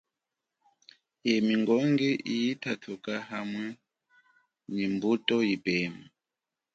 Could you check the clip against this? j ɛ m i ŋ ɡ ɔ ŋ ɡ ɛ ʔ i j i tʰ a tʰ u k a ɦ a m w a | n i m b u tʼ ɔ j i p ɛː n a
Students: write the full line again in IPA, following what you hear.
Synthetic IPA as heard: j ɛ m i ŋ ɡ ɔ ŋ ɡ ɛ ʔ i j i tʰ a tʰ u k a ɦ a m w ɛ | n i m b u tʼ ɔ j i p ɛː m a